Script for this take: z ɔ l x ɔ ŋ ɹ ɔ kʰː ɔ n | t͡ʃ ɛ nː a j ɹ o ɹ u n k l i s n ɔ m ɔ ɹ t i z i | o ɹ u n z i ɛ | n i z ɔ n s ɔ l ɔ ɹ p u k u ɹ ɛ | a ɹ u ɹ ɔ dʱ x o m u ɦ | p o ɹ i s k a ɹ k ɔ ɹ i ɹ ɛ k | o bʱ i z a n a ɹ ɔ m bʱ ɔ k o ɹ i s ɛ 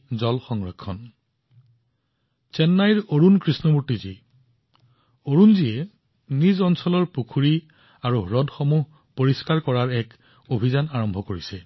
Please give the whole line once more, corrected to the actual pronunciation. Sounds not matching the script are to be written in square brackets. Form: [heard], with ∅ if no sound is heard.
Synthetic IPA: z ɔ l x ɔ ŋ ɹ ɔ kʰː ɔ n | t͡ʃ ɛ nː a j ɹ o ɹ u n k [ɹ] i s n ɔ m [u] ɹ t i z i | o ɹ u n z i ɛ | n i z ɔ n s ɔ l ɔ ɹ p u [kʰ] u ɹ [i] | a ɹ u ɹ ɔ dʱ x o m u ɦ | p o ɹ i s k a ɹ k ɔ ɹ [a] ɹ ɛ k | o bʱ i z a n a ɹ ɔ m bʱ ɔ k o ɹ i s ɛ